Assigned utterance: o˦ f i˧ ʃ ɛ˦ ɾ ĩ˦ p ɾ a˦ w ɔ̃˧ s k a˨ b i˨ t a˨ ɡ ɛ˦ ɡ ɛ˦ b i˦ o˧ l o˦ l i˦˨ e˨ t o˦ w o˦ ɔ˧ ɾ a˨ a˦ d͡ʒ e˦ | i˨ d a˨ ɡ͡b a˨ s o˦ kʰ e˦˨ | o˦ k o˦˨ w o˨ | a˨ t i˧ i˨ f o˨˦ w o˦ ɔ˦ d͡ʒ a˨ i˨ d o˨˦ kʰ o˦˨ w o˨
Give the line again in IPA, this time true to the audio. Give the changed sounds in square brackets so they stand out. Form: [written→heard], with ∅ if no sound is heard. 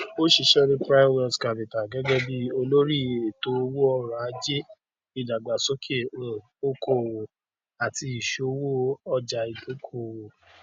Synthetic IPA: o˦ [f→ʃ] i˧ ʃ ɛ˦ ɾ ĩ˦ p ɾ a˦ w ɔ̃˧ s k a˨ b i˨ t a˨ ɡ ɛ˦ ɡ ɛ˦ b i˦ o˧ l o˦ [l→ɾ] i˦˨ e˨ t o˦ w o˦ ɔ˧ ɾ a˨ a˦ d͡ʒ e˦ | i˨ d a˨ ɡ͡b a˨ s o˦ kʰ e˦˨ | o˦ k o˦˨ w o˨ | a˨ t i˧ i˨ [f→ʃ] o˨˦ w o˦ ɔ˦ d͡ʒ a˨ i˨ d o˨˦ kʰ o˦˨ w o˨

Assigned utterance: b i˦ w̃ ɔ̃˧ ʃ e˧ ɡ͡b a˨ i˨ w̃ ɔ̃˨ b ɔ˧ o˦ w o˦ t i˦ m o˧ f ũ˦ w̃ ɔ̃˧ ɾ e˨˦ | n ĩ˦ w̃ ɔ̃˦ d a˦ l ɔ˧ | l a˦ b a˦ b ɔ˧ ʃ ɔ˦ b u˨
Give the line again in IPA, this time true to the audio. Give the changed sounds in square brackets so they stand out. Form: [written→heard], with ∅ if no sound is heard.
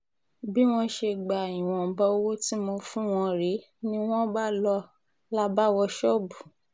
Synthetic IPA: b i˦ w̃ ɔ̃˧ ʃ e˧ ɡ͡b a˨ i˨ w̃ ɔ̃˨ b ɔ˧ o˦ w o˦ t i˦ m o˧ f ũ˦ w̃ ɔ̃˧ ɾ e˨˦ | n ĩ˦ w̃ ɔ̃˦ [d→b] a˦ l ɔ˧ | l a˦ b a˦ [b→w] ɔ˧ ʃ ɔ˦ b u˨

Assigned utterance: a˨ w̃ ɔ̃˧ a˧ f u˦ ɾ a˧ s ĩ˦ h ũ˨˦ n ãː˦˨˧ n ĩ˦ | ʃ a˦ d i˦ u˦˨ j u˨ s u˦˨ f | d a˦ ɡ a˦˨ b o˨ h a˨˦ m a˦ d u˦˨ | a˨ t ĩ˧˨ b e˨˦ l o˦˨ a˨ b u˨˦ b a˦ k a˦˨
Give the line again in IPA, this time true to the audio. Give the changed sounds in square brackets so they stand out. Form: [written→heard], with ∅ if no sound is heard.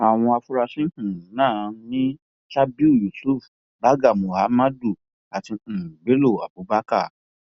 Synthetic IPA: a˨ w̃ ɔ̃˧ a˧ f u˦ ɾ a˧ s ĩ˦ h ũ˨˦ n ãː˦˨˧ n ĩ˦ | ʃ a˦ [d→b] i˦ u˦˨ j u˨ s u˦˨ f | [d→b] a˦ ɡ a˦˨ [b→m] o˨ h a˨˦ m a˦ d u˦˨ | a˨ t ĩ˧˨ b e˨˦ l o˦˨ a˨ b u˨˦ b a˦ k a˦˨

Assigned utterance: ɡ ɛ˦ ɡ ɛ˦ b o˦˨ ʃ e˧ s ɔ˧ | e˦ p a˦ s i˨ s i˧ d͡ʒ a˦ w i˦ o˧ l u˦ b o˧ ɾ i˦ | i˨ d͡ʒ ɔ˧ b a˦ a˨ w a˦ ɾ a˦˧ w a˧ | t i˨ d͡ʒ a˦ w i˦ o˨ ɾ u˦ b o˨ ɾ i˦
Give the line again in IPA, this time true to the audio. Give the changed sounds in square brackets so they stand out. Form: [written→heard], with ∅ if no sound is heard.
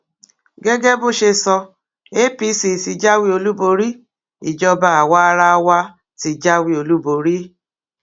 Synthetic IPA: ɡ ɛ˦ ɡ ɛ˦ b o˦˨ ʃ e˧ s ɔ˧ | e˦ p [a˦→i˦] s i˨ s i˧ d͡ʒ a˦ w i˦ o˧ l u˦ b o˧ ɾ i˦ | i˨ d͡ʒ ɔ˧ b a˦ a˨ w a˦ ɾ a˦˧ w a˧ | t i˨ d͡ʒ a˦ w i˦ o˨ [ɾ→l] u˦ b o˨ ɾ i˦

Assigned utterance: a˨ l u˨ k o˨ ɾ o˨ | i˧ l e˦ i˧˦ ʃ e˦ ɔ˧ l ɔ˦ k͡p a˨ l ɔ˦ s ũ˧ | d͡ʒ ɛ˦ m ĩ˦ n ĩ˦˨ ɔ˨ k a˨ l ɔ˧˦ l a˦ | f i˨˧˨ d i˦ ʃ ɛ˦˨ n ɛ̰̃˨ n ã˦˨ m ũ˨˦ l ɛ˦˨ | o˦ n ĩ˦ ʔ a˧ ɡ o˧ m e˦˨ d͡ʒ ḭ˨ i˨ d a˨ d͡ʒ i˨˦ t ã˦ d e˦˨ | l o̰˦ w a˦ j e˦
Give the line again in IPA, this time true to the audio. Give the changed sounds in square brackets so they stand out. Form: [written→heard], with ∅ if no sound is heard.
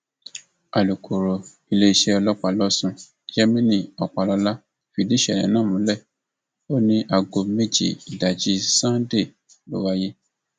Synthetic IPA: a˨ l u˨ k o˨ ɾ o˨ | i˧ l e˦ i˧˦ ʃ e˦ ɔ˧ l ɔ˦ k͡p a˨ l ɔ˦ s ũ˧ | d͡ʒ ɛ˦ m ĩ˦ n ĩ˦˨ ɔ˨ [k→k͡p] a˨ l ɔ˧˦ l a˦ | f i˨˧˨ d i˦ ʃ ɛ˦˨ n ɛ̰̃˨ n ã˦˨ m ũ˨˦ l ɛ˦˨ | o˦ n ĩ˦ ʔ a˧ ɡ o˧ m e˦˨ d͡ʒ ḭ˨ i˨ d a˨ d͡ʒ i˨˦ [t→s] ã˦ d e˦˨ | l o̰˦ w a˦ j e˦

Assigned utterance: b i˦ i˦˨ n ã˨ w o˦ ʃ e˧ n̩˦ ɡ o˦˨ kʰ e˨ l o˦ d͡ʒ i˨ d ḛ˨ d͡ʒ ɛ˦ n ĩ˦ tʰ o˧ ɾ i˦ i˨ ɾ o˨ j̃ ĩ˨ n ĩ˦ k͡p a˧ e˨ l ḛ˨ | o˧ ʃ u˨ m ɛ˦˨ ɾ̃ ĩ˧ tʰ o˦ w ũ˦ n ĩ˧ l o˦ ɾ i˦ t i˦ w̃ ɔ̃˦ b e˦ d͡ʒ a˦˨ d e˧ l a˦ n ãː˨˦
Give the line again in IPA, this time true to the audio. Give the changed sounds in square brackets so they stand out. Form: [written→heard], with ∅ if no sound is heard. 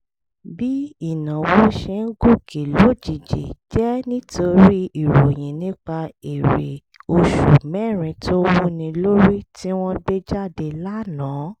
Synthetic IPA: b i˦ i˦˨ n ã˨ w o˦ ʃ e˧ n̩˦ ɡ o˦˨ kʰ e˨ l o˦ d͡ʒ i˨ [d→d͡ʒ] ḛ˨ d͡ʒ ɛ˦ n ĩ˦ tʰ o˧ ɾ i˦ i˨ ɾ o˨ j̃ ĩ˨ n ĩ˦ k͡p a˧ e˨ [l→ɾ] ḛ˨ | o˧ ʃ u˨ m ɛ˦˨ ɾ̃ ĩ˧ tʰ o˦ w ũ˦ n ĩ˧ l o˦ ɾ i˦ t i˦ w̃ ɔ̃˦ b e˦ d͡ʒ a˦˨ d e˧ l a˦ n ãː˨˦

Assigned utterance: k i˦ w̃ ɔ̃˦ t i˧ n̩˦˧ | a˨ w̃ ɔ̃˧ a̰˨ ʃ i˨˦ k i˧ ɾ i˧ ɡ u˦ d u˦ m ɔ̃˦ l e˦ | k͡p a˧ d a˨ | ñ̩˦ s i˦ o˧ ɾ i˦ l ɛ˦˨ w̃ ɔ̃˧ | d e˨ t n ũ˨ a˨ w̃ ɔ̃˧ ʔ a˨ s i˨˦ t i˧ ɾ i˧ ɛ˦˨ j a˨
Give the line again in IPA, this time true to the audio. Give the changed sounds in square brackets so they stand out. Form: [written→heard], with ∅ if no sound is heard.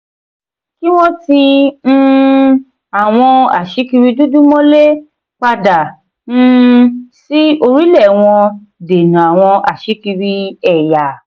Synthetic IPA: k i˦ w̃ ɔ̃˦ t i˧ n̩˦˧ | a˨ w̃ ɔ̃˧ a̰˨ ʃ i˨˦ k i˧ ɾ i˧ [ɡ→d] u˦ d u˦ m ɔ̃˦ l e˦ | k͡p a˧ d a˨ | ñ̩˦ s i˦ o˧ ɾ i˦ l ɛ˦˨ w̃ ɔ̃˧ | d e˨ [t→∅] n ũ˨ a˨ w̃ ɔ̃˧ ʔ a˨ [s→ʃ] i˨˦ [t→k] i˧ ɾ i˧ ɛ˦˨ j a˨

